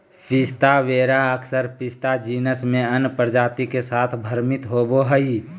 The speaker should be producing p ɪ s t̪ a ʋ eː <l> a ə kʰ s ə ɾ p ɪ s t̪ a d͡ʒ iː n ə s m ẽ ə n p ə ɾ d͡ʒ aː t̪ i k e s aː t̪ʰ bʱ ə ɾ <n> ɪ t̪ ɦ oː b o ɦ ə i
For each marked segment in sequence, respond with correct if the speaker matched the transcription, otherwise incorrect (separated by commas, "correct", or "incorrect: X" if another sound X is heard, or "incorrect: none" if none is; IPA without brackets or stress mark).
incorrect: ɾ, incorrect: m